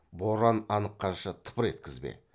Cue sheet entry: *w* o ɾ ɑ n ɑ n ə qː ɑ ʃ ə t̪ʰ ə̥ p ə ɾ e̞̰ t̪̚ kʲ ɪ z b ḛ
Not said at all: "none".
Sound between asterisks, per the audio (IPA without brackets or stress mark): b